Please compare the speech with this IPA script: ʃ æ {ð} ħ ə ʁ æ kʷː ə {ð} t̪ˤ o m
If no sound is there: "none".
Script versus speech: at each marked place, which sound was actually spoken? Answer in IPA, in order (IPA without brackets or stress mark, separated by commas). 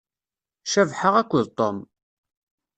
v, ð